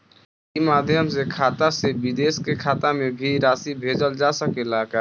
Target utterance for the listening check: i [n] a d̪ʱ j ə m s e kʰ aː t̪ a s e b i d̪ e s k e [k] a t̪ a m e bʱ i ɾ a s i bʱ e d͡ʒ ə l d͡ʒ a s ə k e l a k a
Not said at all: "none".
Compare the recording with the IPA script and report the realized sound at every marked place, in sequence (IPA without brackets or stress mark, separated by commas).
m, kʰ